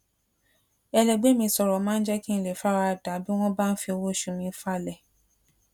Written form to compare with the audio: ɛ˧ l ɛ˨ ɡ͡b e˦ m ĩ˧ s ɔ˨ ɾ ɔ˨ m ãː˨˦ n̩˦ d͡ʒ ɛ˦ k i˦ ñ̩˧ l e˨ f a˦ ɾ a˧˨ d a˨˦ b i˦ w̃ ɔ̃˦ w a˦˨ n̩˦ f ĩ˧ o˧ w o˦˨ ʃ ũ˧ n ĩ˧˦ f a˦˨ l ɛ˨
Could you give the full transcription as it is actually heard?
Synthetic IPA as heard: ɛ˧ l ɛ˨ ɡ͡b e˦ m ĩ˧ s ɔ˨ ɾ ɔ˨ m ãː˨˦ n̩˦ d͡ʒ ɛ˦ k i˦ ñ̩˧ l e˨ f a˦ ɾ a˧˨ d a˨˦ b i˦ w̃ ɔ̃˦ b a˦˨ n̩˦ f i˧ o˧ w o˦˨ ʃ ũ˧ m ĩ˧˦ f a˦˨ l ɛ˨